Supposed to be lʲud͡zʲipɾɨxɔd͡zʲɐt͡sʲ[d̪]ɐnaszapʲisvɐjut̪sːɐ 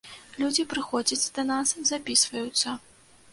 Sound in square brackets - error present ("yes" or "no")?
no